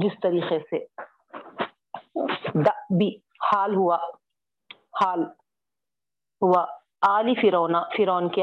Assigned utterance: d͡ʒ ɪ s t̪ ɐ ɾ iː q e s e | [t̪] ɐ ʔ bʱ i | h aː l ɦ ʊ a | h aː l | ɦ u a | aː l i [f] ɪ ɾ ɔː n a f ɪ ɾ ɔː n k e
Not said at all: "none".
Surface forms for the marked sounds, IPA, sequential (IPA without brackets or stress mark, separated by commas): d̪, f